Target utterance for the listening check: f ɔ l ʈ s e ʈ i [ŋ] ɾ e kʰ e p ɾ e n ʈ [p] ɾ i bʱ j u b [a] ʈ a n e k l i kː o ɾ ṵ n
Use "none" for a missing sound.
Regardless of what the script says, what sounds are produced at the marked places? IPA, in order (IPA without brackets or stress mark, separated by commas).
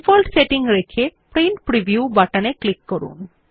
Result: ŋ, p, a